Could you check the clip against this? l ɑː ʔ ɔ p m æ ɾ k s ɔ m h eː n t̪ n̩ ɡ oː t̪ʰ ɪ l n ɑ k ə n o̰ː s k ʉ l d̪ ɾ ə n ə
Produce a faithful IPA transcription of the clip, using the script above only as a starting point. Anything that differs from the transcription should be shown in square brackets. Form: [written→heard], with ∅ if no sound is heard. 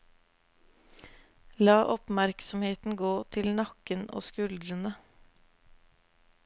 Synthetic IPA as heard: l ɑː ʔ ɔ p m æ ɾ k s ɔ m h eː [n→∅] t̪ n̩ ɡ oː t̪ʰ ɪ l n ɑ k ə n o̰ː s k ʉ l d̪ ɾ ə n ə